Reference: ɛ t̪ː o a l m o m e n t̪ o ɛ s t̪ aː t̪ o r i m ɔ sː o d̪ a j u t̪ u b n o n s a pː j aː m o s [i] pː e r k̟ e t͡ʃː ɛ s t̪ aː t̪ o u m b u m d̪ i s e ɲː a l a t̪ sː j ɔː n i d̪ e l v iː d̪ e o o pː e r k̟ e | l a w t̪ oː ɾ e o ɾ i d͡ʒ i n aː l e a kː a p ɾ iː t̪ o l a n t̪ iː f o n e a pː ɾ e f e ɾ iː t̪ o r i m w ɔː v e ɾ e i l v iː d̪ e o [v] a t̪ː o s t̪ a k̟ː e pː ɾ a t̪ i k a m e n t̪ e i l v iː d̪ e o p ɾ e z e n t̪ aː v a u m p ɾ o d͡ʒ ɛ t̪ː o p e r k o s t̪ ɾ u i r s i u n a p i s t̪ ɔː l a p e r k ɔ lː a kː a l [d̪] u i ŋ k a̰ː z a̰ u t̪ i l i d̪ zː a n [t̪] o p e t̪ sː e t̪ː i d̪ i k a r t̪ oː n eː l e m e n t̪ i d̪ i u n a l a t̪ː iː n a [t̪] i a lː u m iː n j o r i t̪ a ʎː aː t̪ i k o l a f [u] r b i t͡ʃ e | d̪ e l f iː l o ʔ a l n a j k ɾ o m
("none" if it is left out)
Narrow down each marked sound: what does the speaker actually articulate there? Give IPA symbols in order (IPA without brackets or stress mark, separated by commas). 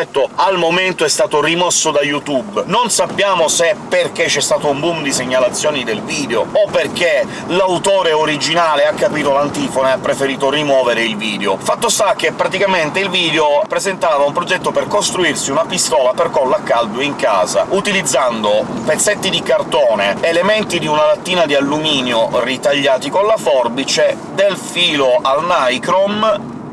e, f, d̪, d̪, d̪, ɔ